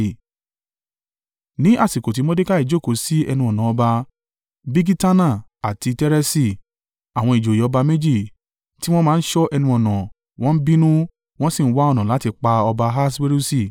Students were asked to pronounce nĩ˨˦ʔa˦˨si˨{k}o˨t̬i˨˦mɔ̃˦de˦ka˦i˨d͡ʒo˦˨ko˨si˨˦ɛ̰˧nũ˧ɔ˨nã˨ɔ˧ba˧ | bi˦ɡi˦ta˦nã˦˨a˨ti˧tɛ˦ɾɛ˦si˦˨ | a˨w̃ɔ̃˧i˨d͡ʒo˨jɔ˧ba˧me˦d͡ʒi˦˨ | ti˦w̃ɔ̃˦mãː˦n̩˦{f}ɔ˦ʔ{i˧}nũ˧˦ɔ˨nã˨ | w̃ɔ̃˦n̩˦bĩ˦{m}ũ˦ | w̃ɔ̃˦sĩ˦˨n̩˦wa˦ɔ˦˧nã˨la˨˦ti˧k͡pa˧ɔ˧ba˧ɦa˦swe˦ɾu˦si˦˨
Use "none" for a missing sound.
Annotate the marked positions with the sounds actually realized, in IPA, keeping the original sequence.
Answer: k, ʃ, ɛ˧, n

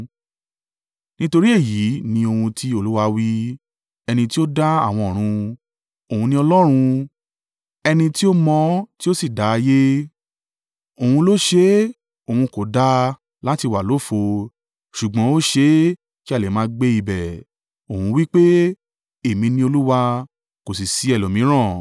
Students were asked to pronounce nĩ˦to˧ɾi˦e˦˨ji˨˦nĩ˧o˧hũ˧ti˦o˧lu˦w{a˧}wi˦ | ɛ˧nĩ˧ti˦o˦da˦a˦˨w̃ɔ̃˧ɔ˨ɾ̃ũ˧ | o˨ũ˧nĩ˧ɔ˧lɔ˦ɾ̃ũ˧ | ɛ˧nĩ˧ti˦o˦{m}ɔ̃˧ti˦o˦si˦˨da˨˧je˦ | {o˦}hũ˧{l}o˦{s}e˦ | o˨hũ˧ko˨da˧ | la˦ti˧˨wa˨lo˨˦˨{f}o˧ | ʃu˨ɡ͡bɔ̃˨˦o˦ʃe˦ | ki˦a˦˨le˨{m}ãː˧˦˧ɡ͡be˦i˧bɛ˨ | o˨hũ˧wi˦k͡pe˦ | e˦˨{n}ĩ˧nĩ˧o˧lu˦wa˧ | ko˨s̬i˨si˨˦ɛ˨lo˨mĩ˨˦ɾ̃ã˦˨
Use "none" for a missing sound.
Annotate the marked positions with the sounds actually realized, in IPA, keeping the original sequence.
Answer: a˧, m, o˨, l, ʃ, f, m, m

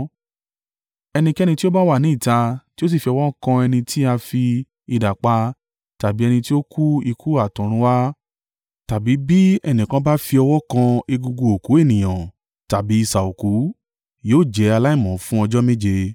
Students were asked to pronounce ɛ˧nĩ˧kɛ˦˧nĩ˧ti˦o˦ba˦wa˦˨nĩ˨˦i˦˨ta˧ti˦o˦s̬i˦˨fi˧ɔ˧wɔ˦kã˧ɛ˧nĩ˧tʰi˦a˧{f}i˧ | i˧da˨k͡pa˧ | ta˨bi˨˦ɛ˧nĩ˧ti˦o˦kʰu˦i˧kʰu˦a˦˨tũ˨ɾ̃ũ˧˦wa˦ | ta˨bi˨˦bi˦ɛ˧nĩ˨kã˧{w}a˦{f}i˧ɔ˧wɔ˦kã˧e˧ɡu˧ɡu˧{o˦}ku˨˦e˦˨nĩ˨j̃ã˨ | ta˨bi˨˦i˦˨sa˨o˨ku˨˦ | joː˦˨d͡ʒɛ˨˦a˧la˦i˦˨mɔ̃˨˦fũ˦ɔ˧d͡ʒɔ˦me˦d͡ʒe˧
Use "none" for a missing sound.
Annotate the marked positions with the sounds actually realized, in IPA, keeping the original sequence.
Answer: f, b, f, o˨

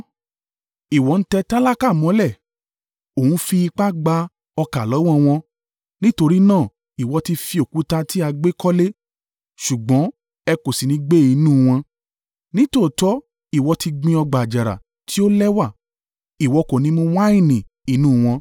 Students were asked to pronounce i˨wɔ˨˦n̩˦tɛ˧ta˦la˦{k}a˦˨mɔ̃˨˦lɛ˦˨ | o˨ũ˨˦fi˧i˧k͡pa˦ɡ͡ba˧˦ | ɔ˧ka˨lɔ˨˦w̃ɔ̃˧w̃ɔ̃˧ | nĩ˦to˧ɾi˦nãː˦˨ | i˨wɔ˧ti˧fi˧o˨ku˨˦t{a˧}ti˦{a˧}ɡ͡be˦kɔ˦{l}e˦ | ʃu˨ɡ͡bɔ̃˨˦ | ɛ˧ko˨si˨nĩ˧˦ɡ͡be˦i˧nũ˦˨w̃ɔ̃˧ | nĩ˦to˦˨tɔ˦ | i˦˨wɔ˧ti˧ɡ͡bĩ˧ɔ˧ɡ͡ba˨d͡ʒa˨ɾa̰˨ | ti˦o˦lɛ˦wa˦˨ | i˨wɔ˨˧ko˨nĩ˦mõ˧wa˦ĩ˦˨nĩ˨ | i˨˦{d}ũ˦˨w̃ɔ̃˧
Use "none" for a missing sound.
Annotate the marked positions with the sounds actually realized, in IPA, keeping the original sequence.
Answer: k, a˧, a˧, l, n

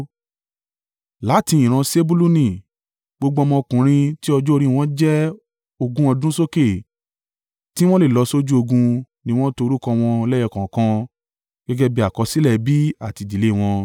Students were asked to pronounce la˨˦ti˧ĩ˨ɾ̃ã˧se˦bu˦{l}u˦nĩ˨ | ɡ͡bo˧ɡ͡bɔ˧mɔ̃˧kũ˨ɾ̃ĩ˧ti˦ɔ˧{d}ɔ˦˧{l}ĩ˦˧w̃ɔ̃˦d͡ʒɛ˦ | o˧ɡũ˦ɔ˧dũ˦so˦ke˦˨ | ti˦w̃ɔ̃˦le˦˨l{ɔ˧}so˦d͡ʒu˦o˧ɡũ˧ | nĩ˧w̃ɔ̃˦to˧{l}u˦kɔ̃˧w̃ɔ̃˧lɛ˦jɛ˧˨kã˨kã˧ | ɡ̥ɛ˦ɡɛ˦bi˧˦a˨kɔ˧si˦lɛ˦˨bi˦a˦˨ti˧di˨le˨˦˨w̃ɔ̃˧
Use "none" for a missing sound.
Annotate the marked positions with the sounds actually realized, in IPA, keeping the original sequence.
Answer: l, d͡ʒ, ɾ, ɔ˧, ɾ

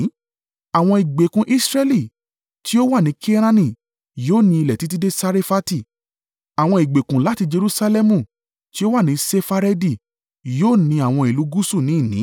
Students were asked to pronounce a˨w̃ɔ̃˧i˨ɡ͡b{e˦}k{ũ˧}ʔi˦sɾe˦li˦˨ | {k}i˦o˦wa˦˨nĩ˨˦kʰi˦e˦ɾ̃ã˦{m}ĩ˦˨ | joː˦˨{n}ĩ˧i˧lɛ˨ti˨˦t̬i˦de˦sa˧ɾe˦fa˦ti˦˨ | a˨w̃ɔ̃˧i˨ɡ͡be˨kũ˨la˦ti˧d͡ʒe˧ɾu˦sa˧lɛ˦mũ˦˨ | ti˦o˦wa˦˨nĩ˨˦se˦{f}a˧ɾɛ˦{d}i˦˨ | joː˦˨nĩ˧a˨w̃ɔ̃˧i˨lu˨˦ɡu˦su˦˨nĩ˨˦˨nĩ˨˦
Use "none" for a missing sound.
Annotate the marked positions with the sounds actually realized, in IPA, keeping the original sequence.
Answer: e˨, ũ˧, t, n, n, f, d

